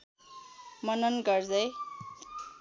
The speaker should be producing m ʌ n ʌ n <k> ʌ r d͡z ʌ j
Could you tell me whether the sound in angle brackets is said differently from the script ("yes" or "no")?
yes